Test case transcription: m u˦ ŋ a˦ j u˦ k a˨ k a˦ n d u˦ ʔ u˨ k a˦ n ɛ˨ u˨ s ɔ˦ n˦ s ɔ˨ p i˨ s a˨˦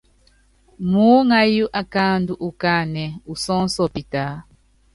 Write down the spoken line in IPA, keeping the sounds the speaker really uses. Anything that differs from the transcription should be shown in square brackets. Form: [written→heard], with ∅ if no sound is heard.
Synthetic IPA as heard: m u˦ ŋ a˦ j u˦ [k→ʔ] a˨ k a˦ n d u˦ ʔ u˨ k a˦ n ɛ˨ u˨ s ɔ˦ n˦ s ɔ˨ p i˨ [s→t] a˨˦